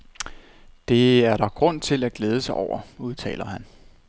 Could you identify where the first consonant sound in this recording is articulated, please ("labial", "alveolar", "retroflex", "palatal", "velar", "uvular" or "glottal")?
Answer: alveolar